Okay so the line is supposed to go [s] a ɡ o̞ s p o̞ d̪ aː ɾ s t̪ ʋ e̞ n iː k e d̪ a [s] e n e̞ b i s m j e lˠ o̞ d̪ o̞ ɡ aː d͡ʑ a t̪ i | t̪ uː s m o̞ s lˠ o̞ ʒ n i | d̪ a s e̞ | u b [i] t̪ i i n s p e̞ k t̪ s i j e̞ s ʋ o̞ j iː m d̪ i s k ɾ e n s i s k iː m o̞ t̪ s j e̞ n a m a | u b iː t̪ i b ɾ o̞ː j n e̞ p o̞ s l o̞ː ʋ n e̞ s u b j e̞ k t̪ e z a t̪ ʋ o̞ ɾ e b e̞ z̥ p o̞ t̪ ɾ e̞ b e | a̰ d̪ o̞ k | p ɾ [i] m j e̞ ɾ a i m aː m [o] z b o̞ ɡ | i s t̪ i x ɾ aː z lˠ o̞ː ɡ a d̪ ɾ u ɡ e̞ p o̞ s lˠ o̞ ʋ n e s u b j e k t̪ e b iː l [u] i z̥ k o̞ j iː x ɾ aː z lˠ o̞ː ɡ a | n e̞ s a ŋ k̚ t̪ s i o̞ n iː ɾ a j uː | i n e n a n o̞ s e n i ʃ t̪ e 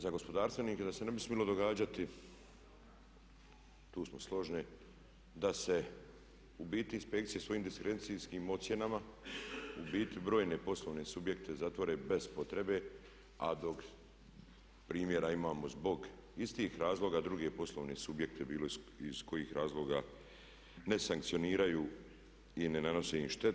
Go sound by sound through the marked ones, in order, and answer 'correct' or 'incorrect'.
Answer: incorrect: z, correct, incorrect: iː, incorrect: iː, correct, incorrect: o

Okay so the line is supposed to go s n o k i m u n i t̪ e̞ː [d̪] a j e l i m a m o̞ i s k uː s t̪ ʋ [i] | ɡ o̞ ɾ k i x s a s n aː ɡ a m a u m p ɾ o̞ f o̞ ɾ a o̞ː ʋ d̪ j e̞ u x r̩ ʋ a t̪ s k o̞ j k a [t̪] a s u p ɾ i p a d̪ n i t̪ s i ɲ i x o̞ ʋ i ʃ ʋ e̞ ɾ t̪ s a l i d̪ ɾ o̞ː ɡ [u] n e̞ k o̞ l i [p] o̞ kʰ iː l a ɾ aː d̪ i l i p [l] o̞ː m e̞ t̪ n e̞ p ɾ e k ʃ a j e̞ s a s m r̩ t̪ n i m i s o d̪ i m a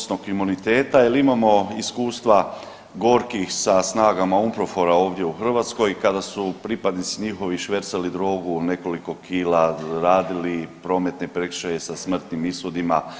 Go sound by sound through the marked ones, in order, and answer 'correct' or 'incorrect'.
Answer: incorrect: t̪, incorrect: a, incorrect: d̪, correct, incorrect: k, incorrect: ɾ

